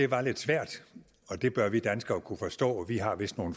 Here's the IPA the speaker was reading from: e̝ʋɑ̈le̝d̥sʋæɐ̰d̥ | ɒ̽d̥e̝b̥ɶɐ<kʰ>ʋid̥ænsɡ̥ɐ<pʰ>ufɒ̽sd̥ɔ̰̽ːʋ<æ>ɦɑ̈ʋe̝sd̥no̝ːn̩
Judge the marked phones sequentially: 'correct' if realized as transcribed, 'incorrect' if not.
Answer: incorrect: none, incorrect: kʰ, incorrect: i

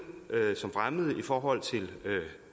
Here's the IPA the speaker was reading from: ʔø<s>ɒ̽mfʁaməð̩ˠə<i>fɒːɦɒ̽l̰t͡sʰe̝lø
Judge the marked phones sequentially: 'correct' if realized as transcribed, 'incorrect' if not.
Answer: correct, correct

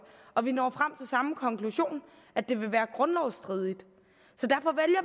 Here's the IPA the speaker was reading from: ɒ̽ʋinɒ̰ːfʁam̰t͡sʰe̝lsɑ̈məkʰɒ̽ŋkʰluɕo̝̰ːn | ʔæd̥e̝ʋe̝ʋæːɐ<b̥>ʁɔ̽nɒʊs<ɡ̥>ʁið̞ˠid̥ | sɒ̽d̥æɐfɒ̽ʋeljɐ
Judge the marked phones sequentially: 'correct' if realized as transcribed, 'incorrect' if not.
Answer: incorrect: ɡ̥, incorrect: d̥

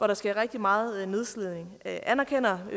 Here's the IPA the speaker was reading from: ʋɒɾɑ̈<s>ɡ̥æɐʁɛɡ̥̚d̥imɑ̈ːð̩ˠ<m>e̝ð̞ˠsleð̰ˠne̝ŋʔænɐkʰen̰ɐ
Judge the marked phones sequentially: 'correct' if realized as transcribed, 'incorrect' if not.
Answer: correct, incorrect: n

